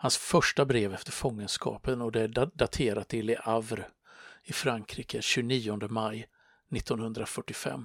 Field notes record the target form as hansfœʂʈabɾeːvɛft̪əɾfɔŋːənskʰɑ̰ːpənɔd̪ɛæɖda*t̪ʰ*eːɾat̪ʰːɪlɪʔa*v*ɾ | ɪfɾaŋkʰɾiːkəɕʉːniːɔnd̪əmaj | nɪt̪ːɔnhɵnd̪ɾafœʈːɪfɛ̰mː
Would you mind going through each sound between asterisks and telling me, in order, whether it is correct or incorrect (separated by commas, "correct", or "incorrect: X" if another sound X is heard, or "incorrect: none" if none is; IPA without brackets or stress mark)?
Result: correct, correct